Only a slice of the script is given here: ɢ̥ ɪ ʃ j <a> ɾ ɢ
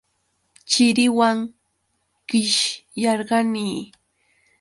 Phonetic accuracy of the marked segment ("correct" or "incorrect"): incorrect